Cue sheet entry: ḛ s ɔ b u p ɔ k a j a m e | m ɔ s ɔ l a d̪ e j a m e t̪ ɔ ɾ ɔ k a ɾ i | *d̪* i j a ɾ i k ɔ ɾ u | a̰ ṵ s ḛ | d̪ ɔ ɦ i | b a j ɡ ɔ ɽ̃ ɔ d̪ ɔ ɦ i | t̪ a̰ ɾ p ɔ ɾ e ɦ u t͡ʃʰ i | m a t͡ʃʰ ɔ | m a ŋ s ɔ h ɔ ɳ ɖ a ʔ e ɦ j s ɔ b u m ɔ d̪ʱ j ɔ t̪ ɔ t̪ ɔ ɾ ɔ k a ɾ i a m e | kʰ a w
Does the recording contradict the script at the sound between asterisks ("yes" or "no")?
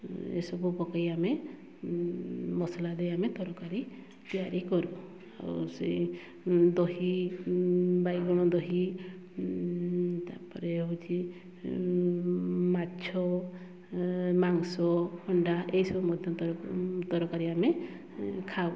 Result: yes